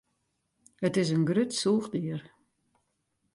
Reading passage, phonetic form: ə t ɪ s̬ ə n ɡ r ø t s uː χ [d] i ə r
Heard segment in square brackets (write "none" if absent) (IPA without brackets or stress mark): d